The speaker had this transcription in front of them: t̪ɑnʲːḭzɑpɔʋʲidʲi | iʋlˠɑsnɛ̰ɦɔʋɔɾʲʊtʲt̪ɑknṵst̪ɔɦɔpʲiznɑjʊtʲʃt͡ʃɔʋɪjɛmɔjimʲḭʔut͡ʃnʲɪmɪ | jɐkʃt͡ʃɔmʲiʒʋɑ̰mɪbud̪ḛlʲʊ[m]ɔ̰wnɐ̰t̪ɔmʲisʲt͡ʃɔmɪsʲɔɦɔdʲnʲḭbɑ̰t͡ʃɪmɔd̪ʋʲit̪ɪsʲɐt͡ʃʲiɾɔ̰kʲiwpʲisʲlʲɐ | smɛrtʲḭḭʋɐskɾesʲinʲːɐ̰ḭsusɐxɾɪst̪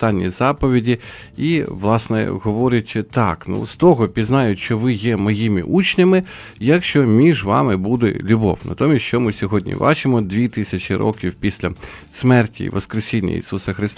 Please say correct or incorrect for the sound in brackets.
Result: incorrect: b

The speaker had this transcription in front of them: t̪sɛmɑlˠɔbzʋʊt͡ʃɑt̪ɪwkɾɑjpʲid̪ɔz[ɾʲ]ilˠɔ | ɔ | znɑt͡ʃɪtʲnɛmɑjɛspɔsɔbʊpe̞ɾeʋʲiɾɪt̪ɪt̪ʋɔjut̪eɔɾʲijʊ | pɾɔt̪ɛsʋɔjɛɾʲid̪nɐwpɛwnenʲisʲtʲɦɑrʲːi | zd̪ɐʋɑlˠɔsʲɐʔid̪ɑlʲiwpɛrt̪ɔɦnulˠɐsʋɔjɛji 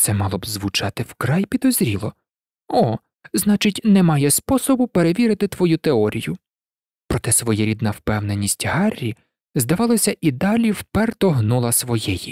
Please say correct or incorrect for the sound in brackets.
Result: correct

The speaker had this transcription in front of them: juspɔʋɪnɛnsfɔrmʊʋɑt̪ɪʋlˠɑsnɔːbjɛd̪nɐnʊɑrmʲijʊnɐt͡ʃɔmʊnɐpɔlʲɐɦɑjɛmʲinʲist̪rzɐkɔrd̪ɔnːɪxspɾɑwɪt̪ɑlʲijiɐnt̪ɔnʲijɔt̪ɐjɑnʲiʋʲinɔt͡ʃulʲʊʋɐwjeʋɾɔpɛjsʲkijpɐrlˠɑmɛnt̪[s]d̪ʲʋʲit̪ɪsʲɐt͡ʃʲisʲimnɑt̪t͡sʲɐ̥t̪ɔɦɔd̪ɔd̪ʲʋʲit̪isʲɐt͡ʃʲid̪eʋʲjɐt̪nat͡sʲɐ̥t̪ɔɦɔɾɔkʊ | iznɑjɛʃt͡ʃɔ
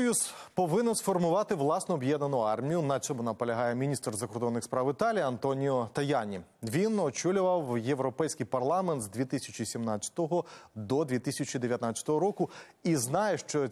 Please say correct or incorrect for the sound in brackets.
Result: incorrect: z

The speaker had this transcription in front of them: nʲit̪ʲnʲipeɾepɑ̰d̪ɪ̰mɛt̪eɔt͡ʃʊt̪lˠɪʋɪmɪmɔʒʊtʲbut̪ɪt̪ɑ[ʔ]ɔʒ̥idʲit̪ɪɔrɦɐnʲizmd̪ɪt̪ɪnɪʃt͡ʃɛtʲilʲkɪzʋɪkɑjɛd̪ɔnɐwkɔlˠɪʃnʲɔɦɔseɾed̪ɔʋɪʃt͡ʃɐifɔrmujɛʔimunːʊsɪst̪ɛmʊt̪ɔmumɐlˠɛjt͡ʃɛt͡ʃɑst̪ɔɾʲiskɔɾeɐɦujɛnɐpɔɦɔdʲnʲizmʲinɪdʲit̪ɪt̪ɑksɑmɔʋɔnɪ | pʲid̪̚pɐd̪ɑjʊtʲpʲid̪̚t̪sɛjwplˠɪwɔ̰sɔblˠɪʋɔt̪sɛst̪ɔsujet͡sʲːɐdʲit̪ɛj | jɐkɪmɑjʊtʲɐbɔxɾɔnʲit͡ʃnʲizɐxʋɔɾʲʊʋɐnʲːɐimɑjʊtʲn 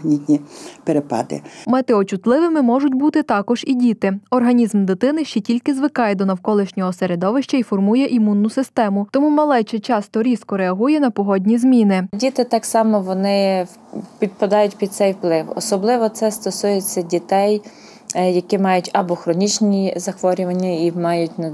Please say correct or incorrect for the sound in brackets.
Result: incorrect: k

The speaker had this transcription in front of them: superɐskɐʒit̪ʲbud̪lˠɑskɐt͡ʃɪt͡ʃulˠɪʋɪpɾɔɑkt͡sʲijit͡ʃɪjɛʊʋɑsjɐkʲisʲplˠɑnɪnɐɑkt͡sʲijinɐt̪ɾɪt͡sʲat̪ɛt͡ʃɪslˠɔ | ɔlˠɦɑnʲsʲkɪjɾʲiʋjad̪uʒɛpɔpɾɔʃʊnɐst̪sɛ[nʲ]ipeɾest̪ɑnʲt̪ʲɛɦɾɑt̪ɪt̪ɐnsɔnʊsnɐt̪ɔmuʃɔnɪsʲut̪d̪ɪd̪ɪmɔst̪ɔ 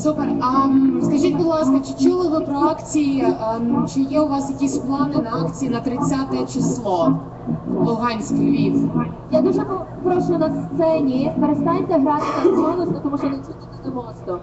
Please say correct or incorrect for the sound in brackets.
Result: correct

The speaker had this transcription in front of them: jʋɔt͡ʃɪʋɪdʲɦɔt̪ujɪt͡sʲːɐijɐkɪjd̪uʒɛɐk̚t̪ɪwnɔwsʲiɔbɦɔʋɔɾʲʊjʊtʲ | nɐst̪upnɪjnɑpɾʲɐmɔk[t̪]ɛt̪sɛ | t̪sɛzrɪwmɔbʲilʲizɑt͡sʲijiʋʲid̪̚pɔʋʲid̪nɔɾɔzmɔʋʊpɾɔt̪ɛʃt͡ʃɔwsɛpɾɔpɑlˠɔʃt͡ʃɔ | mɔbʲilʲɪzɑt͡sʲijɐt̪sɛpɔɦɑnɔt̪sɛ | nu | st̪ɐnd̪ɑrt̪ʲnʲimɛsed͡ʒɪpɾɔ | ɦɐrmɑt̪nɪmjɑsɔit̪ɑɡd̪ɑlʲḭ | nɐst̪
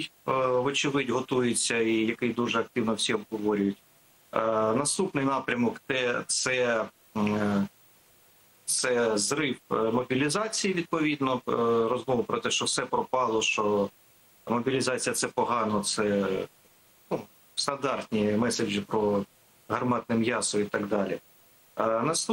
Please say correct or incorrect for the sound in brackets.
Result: correct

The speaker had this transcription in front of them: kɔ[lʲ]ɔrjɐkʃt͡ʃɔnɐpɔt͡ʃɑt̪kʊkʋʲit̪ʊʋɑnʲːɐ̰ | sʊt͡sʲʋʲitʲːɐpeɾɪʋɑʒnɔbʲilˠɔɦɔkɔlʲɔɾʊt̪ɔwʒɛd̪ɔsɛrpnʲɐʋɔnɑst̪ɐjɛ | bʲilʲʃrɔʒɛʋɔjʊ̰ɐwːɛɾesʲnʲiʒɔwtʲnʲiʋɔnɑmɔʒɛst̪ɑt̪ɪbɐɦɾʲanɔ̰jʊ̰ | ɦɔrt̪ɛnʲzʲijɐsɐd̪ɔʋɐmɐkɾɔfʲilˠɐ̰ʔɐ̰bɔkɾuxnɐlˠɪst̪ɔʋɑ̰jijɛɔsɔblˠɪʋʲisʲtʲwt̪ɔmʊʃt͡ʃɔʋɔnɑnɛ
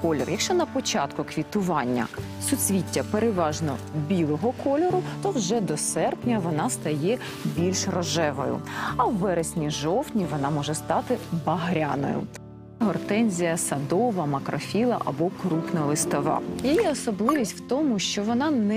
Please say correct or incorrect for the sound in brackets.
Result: correct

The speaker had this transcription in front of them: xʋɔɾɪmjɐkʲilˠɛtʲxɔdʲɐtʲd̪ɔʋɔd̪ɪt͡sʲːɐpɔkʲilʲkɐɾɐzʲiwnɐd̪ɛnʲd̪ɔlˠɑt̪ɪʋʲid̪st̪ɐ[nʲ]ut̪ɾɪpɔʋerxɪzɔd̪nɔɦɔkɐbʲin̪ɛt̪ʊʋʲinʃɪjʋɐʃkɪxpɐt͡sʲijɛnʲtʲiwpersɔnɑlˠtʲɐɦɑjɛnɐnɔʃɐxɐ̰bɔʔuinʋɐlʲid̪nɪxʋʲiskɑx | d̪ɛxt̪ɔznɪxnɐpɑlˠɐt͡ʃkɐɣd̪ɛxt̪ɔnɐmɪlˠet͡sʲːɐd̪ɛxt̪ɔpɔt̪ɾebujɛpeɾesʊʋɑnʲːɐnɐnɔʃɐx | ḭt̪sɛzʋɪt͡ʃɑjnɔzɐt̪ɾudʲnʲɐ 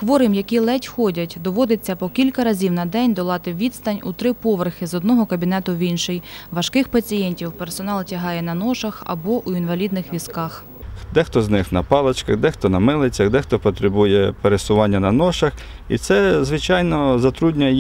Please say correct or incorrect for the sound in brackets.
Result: correct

